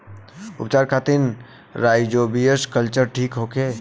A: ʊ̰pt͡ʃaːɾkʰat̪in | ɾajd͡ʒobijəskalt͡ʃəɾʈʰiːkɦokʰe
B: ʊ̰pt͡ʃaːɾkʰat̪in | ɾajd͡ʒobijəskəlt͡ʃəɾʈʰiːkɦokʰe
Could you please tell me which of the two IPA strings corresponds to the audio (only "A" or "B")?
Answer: B